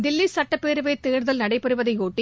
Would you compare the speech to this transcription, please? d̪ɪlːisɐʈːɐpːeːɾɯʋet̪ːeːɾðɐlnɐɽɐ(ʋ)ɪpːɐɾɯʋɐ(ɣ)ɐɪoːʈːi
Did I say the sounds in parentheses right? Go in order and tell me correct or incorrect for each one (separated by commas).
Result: incorrect, incorrect